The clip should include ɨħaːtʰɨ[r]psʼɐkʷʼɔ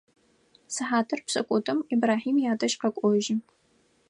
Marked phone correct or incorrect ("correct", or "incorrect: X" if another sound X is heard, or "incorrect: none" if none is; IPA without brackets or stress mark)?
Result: correct